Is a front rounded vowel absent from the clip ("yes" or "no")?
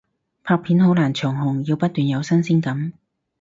no